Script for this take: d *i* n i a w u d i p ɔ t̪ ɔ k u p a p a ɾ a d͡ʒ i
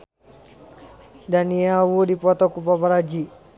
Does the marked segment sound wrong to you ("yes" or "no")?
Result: yes